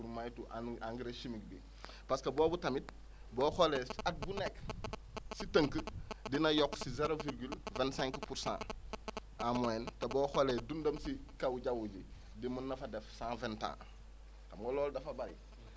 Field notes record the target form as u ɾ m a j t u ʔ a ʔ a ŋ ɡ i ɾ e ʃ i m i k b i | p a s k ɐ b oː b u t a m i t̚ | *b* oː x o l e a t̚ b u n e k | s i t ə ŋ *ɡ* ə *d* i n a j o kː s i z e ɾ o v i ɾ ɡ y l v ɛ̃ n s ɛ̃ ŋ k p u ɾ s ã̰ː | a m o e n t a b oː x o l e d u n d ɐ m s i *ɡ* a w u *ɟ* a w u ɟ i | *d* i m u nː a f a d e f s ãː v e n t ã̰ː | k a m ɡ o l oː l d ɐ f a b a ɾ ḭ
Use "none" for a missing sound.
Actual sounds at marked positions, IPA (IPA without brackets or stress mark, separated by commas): b, k, d, k, ɟ, d